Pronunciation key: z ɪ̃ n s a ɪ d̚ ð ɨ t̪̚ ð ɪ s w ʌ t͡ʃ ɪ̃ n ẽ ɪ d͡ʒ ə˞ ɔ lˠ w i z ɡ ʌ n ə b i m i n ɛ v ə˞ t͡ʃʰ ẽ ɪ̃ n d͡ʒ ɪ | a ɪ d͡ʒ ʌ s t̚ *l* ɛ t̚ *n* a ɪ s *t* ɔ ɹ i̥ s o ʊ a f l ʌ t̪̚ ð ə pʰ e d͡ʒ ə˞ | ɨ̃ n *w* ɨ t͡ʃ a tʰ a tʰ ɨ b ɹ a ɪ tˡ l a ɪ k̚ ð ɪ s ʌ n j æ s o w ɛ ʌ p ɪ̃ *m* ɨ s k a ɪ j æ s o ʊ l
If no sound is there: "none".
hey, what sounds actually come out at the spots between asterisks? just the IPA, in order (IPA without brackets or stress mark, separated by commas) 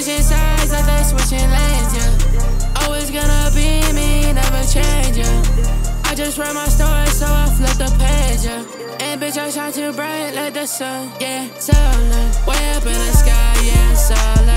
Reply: ɹ, m, t, b, n